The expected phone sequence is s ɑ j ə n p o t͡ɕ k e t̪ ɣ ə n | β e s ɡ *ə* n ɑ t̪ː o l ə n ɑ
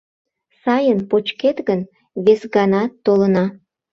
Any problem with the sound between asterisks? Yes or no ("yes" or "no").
yes